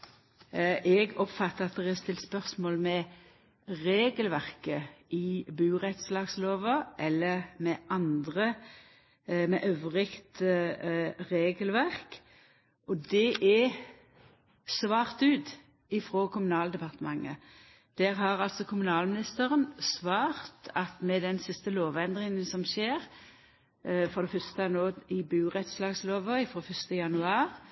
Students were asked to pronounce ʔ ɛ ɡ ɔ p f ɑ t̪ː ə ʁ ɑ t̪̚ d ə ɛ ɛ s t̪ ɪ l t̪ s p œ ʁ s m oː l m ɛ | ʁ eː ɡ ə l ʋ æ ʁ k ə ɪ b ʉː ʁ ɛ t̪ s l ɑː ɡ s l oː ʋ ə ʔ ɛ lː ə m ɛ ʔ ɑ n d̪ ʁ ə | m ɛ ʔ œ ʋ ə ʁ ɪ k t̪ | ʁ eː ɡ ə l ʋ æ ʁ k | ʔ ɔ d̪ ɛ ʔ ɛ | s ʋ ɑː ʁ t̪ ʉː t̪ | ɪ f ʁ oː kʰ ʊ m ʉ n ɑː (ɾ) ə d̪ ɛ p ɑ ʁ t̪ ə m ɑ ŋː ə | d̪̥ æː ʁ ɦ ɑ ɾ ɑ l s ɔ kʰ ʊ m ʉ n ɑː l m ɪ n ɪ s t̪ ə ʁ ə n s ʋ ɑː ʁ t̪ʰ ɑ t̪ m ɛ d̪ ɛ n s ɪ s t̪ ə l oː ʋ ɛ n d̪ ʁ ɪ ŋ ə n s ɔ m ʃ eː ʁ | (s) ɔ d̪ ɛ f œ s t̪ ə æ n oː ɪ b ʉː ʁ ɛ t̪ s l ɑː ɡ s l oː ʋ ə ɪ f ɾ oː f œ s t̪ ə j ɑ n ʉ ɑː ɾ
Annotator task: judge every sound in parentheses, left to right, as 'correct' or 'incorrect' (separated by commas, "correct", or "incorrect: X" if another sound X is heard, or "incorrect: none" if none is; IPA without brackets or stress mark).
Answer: incorrect: l, incorrect: f